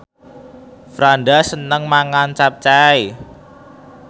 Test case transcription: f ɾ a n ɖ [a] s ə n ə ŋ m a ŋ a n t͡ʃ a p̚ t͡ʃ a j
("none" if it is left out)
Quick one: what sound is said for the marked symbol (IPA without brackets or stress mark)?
a